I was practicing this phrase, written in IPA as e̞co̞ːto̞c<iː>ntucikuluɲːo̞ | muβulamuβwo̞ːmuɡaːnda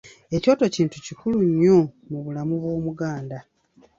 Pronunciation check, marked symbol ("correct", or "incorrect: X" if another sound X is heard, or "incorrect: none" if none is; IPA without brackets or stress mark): correct